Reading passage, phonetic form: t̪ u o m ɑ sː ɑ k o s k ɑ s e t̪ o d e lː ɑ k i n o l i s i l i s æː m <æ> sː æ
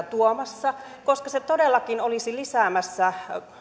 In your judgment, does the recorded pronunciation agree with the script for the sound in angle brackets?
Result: yes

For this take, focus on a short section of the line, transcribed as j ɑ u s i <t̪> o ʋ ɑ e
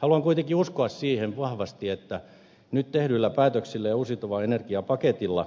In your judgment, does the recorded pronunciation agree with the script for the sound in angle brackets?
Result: yes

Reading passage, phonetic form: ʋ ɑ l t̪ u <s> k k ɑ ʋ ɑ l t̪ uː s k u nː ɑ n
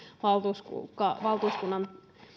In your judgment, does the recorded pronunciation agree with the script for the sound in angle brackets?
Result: yes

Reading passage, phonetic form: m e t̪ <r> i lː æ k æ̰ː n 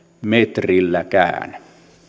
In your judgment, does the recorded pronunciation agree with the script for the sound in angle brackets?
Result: yes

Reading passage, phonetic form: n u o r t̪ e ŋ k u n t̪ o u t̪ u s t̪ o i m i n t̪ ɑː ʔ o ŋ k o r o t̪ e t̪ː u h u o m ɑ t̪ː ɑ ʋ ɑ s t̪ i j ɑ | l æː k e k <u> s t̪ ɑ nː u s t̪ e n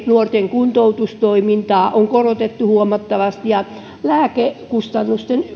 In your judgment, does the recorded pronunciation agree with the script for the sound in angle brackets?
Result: yes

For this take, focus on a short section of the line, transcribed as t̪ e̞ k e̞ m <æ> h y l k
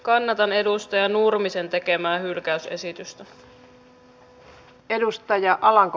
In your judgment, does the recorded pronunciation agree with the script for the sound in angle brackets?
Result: no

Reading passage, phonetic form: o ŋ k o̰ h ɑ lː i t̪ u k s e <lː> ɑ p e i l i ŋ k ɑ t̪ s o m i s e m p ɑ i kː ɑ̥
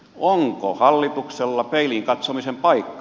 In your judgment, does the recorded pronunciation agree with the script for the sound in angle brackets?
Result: yes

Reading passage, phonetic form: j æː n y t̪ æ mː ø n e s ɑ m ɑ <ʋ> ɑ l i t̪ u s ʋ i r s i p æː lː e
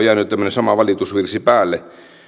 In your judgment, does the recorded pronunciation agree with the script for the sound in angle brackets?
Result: yes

